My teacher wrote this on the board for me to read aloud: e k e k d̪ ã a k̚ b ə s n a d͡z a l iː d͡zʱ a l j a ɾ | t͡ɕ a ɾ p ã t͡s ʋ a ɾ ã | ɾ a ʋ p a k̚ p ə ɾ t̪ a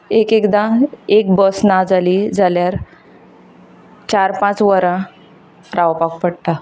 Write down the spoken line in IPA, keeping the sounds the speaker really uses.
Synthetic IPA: e k e k d̪ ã e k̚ b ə s n a d͡z a l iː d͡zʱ a l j a ɾ | t͡ɕ a ɾ p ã t͡s ʋ ə ɾ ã | ɾ a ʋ p a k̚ p ə ɽ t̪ a